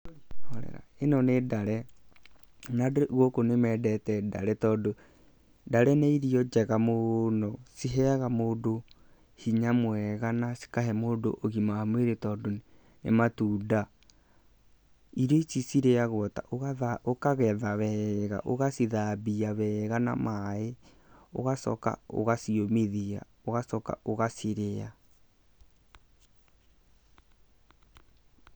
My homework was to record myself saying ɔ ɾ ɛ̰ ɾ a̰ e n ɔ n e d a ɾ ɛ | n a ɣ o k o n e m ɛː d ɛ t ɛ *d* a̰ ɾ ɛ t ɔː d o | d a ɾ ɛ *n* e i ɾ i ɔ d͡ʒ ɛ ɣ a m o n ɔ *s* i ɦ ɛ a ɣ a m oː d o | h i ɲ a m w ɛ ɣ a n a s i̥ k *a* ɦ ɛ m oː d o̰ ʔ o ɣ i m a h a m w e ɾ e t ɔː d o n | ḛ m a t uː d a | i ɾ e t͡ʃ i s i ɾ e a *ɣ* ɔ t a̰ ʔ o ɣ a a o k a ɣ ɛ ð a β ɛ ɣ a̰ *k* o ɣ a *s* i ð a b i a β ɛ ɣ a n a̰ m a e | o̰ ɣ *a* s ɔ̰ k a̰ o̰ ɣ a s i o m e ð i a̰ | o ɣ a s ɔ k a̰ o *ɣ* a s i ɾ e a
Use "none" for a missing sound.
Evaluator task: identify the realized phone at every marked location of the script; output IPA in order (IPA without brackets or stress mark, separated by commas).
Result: d, n, s, a, ɣ, ʔ, s, a, ɣ